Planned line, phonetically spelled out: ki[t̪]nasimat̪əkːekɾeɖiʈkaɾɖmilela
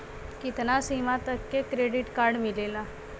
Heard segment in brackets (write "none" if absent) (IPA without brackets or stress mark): t̪